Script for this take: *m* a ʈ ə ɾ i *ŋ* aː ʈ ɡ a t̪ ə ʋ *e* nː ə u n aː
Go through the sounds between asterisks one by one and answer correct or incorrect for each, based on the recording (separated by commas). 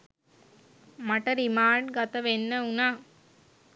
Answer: correct, incorrect, correct